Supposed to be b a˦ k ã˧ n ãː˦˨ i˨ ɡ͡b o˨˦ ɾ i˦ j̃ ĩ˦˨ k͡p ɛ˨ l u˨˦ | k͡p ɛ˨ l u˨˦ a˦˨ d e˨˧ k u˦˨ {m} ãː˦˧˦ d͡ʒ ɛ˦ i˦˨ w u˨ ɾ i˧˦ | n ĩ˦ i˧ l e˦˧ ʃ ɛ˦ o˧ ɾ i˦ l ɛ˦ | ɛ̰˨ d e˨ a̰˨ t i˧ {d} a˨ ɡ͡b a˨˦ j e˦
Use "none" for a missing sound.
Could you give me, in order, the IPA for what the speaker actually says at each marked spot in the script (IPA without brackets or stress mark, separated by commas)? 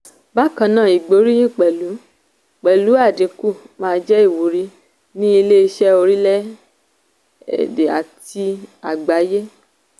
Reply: m, none